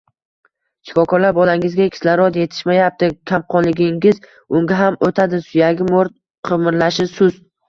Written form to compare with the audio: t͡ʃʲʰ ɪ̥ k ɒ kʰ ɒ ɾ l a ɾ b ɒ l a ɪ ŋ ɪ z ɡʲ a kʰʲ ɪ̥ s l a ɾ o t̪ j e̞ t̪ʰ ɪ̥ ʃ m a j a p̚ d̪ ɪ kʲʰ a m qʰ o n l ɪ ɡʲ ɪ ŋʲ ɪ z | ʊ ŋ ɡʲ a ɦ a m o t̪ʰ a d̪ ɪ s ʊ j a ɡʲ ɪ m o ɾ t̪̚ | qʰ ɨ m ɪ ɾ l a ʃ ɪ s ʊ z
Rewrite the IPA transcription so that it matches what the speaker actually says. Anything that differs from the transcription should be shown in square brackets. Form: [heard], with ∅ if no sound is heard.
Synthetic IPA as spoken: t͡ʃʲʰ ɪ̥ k ɒ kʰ ɒ ɾ l a ɾ b ɒ l a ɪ ŋ ɪ z ɡʲ a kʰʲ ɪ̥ s l a ɾ [ɒ] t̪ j e̞ t̪ʰ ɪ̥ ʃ m a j a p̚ [t̪] ɪ kʲʰ a m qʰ [ɒ] n l ɪ ɡʲ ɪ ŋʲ ɪ z | ʊ ŋ ɡʲ a ɦ a m o t̪ʰ a d̪ ɪ s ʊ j a ɡʲ ɪ m o ɾ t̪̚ | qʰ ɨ m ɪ ɾ l a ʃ ɪ s ʊ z